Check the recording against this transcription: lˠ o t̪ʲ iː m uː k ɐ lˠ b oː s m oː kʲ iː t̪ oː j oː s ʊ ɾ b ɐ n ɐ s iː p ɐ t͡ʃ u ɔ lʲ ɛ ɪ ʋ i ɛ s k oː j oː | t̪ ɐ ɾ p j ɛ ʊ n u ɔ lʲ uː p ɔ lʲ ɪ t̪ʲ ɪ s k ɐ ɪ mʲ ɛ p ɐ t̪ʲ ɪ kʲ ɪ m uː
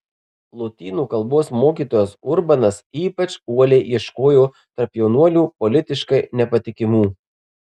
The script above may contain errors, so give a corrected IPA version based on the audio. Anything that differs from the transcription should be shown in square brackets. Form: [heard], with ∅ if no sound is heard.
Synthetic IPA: lˠ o t̪ʲ iː [n] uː k ɐ lˠ b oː s m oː kʲ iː t̪ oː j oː s ʊ ɾ b ɐ n ɐ s iː p ɐ t͡ʃ u ɔ lʲ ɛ ɪ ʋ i ɛ [ʃ] k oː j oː | t̪ ɐ ɾ p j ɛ ʊ n u ɔ lʲ uː p ɔ lʲ ɪ t̪ʲ ɪ [ʃ] k ɐ ɪ [nʲ] ɛ p ɐ t̪ʲ ɪ kʲ ɪ m uː